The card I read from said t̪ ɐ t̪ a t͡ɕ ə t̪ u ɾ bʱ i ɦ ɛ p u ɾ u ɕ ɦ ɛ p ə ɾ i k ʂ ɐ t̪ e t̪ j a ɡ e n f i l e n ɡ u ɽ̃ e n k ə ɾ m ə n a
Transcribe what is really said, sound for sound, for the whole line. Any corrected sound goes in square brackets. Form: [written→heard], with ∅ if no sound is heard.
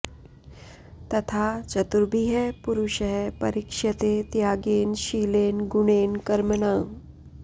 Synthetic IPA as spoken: t̪ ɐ [t̪→t̪ʰ] a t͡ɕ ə t̪ u ɾ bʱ i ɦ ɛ p u ɾ u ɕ ɦ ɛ p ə ɾ i k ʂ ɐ t̪ e t̪ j a ɡ e n [f→ɕ] i l e n ɡ u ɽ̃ e n k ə ɾ m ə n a